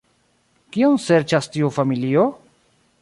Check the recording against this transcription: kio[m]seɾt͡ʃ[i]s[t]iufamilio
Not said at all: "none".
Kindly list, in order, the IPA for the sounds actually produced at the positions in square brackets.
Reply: n, a, t

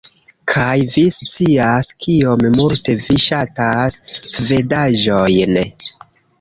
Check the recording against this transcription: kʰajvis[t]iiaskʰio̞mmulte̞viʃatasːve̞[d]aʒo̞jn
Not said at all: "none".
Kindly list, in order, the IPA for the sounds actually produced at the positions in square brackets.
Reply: t͡s, d

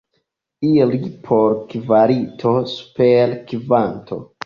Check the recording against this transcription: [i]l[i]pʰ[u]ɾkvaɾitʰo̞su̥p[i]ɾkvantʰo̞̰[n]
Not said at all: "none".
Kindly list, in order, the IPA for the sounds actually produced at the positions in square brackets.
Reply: i, i, o, e, none

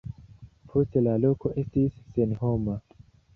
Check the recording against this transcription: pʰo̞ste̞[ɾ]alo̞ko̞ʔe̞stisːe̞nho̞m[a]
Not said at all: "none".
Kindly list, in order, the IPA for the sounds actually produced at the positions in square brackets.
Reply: l, a

